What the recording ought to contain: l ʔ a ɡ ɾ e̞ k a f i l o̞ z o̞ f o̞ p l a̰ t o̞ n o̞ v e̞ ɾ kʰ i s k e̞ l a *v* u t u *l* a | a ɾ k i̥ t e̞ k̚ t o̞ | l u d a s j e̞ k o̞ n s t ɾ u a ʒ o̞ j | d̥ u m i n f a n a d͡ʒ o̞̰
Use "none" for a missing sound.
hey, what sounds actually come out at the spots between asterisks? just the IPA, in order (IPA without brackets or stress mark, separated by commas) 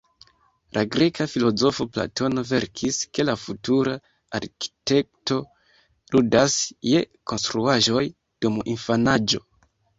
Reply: f, ɾ